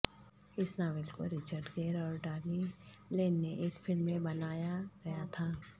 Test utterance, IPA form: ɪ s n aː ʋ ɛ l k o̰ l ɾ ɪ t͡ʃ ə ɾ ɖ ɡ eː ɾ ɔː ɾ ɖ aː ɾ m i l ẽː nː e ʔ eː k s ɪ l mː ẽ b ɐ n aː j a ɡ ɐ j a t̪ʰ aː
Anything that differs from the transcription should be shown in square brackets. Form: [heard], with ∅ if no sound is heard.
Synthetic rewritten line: ɪ s n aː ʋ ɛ l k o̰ [∅] ɾ ɪ t͡ʃ ə ɾ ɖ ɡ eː ɾ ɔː ɾ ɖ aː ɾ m i l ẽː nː e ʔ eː k [f] ɪ l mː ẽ b ɐ n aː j a ɡ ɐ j a t̪ʰ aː